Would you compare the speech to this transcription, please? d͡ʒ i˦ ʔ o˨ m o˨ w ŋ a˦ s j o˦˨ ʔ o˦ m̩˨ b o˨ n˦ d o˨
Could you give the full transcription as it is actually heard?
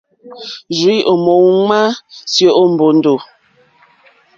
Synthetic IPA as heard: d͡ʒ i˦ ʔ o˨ m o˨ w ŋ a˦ s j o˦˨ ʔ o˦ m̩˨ b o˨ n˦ d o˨